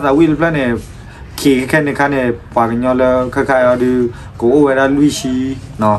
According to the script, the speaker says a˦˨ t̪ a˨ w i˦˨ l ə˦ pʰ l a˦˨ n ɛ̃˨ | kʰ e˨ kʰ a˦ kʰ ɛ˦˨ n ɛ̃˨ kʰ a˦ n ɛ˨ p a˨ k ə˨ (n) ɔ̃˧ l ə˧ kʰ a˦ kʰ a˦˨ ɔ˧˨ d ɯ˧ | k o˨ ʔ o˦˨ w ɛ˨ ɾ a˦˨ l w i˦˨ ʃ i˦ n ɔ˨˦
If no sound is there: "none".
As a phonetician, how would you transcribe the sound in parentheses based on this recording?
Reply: ɲ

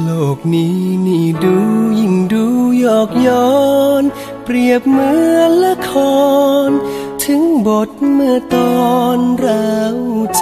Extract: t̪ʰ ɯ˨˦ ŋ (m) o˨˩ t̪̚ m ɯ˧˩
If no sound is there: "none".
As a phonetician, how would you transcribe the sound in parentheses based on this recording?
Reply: b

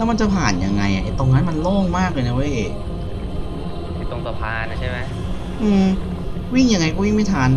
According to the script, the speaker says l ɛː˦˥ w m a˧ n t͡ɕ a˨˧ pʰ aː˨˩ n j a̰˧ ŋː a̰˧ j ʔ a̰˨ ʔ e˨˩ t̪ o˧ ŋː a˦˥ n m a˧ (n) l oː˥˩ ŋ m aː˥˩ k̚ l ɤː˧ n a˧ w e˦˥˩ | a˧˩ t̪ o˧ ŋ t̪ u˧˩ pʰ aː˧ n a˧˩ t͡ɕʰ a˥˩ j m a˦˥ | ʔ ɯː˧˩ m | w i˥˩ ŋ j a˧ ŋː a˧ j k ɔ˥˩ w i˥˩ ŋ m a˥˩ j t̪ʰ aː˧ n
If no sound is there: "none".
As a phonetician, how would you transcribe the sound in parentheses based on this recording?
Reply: n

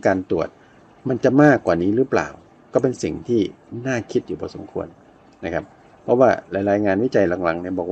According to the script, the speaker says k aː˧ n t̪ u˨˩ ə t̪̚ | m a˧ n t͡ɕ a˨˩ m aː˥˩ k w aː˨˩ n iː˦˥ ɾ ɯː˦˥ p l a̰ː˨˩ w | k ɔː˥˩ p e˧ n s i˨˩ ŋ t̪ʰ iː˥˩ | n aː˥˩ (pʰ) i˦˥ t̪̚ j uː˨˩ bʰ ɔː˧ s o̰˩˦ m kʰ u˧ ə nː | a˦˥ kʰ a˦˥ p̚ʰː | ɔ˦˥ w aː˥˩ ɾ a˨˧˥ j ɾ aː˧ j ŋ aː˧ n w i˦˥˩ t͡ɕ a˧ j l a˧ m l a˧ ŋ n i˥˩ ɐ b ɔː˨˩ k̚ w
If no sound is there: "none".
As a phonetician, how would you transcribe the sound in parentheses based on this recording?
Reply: kʰ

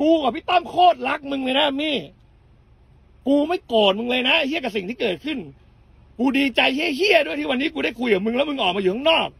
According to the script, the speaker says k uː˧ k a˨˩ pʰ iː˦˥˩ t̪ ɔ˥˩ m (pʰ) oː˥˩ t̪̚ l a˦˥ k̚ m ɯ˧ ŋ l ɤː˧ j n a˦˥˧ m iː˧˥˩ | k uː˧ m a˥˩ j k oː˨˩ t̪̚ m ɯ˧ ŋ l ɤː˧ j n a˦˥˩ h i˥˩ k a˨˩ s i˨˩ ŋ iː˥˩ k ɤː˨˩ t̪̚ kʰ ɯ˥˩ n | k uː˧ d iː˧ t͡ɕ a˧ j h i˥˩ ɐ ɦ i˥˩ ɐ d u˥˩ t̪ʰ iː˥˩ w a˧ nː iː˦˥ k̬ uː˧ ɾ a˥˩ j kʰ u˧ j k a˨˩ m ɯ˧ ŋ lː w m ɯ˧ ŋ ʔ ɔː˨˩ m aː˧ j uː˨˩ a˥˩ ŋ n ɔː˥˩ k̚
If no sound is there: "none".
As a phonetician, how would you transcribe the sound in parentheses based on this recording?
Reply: kʰ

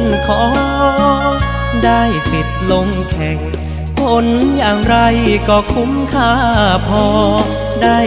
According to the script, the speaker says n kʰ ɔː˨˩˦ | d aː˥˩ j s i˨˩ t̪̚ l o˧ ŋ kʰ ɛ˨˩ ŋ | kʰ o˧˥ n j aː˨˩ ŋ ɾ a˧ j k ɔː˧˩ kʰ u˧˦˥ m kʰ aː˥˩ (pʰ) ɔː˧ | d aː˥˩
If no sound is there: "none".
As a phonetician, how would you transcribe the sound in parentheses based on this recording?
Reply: pʰ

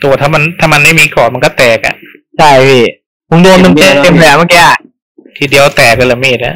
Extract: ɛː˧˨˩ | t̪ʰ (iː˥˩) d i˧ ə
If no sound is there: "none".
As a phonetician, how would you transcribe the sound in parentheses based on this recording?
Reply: iː˧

